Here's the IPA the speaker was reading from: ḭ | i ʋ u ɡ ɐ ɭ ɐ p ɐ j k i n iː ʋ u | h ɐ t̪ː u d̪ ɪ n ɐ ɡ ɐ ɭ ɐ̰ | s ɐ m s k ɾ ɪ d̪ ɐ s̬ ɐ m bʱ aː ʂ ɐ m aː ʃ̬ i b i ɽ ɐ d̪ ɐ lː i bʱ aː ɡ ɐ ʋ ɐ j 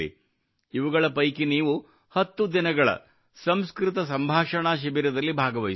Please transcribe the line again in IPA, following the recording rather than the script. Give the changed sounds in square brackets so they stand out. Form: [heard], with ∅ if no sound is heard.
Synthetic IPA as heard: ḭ | i ʋ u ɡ ɐ ɭ ɐ p ɐ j k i n iː ʋ u | h ɐ t̪ː u d̪ [i] n ɐ ɡ ɐ ɭ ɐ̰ | s ɐ m s k ɾ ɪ [t̪] ɐ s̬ ɐ m bʱ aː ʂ ɐ [ɳ] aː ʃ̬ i b i [ɾ] ɐ d̪ ɐ lː i bʱ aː ɡ ɐ ʋ ɐ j